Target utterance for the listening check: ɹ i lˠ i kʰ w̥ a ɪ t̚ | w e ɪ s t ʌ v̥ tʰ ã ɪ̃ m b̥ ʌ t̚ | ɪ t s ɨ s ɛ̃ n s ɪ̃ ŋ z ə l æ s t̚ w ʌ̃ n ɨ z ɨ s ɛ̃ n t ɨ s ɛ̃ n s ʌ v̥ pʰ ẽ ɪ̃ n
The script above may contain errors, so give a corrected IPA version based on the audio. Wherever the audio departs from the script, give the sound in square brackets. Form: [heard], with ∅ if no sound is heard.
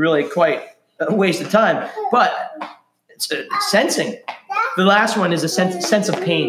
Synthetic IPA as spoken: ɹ [ɪ] lˠ i kʰ w̥ a ɪ t̚ | w e ɪ s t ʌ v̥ tʰ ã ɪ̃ m b̥ ʌ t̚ | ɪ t s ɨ s ɛ̃ n s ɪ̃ ŋ [ð] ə l æ s t̚ w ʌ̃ n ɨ z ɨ s ɛ̃ n [s] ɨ s ɛ̃ n s ʌ v̥ pʰ ẽ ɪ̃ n